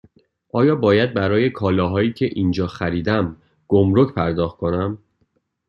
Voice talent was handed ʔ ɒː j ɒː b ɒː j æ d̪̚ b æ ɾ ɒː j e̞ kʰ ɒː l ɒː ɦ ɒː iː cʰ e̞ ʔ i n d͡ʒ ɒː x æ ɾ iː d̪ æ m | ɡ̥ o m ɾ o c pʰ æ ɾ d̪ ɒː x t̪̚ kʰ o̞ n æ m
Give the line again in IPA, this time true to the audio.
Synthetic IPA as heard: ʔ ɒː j ɒː b ɒː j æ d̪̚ b æ ɾ ɒː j e̞ kʰ ɒː l ɒː ɦ ɒː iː cʰ e̞ ʔ i n d͡ʒ ɒː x æ ɾ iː d̪ æ m | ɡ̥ o m ɾ o c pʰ æ ɾ d̪ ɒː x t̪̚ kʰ o̞ n æ m